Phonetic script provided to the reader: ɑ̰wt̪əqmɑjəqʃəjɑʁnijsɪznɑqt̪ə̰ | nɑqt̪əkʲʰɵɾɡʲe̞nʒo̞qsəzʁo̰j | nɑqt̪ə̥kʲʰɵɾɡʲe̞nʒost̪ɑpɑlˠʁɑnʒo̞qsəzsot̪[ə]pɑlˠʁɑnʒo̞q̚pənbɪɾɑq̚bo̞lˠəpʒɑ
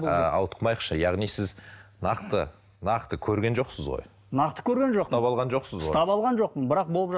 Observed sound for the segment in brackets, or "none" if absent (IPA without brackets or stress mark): ɑ